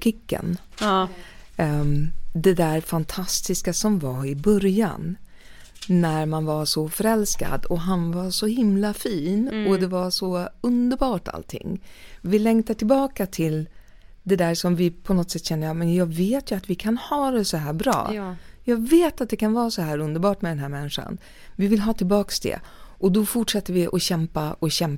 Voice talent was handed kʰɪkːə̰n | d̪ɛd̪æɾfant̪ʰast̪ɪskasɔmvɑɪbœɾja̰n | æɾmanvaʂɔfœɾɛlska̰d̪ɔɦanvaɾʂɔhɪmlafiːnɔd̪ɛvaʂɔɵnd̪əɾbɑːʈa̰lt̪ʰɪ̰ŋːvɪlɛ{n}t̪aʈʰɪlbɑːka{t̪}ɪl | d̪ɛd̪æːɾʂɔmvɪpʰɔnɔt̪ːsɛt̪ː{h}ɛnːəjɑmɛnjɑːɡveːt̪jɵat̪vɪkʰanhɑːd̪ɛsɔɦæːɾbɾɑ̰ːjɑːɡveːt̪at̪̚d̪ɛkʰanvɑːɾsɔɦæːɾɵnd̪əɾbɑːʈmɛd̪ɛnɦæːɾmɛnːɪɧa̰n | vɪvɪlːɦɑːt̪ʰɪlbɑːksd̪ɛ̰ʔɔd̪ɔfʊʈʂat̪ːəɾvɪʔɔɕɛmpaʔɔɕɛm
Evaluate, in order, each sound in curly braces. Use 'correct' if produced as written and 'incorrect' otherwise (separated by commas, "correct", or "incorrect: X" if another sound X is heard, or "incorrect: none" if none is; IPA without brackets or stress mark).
incorrect: ŋ, incorrect: t̪ʰ, incorrect: ɕ